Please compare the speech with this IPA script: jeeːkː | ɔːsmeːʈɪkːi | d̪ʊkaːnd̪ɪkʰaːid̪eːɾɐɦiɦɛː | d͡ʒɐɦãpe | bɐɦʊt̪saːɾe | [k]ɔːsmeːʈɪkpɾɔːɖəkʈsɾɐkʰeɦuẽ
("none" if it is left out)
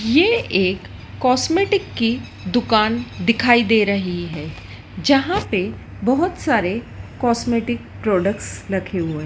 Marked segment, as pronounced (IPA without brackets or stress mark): k